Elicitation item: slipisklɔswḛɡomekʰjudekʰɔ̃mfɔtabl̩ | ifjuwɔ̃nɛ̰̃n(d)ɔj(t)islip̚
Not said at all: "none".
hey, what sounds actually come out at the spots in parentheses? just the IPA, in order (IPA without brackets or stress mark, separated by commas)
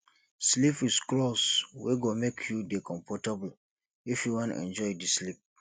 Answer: d͡ʒ, d